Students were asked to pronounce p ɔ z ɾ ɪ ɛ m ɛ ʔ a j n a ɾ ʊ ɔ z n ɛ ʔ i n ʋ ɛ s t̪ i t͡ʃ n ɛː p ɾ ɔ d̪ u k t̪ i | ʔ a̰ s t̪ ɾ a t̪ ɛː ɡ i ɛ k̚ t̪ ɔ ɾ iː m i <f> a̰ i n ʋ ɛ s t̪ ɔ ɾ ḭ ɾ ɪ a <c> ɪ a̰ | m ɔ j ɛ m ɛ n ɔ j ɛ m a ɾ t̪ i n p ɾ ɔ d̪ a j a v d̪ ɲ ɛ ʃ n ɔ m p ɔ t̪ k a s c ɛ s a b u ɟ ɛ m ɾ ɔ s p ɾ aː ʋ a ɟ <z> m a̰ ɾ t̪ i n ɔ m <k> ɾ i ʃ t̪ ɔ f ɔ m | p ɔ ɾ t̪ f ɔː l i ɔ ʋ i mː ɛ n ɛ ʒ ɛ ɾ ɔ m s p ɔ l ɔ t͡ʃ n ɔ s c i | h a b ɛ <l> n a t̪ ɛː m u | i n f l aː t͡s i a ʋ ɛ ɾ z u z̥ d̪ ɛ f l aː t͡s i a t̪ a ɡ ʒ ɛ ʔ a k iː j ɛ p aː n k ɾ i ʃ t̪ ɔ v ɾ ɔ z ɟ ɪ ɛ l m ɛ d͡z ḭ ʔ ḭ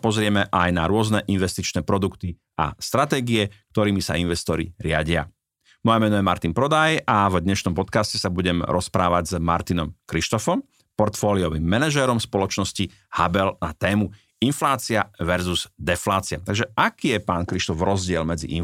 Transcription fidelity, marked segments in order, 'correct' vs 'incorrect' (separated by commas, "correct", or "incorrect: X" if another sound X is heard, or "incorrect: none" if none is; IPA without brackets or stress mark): incorrect: s, incorrect: ɟ, correct, correct, correct